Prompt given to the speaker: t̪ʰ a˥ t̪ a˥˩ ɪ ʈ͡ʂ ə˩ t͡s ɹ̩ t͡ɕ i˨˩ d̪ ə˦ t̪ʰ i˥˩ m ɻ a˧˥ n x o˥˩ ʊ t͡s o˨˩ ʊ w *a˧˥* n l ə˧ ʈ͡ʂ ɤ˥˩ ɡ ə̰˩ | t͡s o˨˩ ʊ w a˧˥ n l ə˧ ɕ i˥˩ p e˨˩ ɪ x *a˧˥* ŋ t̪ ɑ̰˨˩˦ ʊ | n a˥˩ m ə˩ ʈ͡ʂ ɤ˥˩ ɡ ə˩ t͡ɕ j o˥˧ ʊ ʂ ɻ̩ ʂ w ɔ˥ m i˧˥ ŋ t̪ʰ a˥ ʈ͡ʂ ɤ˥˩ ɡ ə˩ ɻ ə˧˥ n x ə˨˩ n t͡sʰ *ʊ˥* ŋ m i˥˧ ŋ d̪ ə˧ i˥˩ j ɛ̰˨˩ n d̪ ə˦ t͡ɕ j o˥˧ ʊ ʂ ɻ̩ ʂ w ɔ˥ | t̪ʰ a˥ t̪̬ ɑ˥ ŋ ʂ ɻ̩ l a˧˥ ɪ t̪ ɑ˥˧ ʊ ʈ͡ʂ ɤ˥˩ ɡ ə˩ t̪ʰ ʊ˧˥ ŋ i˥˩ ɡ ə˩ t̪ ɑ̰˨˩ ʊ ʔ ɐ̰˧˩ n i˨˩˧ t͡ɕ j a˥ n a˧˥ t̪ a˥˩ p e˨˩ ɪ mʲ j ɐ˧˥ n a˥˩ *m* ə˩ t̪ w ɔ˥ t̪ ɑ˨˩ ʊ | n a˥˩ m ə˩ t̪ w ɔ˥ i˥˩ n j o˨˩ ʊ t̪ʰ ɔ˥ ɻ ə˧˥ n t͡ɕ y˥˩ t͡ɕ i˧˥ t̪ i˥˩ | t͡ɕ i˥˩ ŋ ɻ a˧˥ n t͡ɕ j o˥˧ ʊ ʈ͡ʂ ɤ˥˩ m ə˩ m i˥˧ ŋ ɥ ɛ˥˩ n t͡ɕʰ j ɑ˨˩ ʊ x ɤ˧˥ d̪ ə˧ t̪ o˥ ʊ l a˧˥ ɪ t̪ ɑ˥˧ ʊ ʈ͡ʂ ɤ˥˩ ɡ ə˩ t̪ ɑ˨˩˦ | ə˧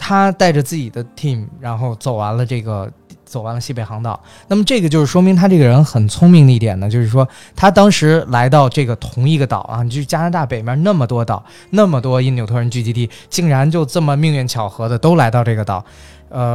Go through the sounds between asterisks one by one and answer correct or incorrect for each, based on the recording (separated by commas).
correct, incorrect, correct, correct